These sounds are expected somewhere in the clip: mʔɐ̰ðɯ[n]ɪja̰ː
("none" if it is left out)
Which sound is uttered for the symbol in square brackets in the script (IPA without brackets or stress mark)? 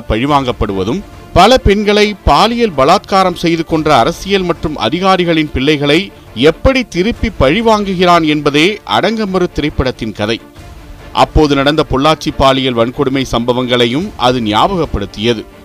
n